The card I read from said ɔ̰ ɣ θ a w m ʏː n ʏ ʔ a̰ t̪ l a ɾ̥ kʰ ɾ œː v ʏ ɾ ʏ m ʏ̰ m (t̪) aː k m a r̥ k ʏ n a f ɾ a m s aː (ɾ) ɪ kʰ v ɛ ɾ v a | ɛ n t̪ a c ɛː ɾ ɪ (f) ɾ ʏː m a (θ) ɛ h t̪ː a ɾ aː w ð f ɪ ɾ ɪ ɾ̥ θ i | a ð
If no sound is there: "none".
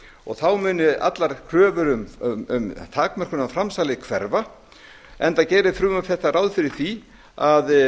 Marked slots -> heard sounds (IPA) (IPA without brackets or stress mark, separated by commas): t̪ʰ, l, f, θ